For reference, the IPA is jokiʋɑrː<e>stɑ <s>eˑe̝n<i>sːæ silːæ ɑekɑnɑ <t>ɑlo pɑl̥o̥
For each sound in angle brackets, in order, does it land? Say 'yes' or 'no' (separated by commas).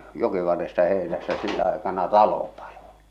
yes, no, no, yes